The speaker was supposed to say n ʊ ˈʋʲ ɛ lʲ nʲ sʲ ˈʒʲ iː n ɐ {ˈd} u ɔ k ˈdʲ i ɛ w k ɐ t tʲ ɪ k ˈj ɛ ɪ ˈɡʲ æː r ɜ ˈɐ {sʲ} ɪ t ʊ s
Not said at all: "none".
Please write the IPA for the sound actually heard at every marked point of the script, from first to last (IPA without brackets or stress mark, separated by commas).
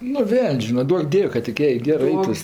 d, none